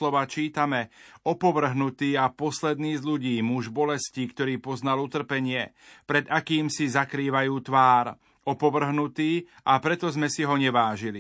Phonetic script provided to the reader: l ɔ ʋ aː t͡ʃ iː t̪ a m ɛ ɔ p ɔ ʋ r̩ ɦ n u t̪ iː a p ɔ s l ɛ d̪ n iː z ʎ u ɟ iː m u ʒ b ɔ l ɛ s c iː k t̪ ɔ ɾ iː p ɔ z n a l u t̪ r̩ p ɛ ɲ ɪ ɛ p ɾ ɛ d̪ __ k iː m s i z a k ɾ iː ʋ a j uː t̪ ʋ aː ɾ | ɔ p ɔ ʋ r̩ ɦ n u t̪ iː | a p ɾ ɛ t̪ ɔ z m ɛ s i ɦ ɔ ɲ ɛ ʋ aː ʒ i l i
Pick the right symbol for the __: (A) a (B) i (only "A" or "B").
A